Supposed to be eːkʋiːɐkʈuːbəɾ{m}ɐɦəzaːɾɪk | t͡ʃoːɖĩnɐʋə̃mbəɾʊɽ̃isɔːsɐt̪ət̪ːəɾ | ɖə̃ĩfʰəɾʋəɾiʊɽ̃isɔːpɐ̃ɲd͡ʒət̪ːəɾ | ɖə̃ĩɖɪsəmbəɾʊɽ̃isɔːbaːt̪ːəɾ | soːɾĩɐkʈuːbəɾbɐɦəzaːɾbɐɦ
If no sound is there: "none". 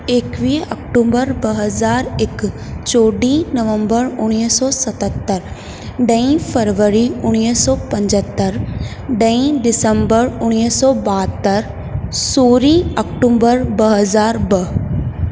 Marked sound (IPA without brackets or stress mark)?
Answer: b